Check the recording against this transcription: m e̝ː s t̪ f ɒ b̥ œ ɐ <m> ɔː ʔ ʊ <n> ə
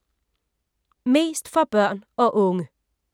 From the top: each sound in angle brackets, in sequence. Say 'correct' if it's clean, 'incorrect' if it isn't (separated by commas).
incorrect, incorrect